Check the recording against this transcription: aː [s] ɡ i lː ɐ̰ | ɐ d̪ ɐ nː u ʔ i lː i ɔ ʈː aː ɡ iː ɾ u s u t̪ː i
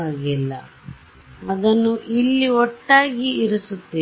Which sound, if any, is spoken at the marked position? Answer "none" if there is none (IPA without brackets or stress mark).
none